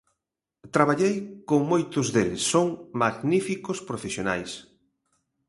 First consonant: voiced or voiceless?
voiceless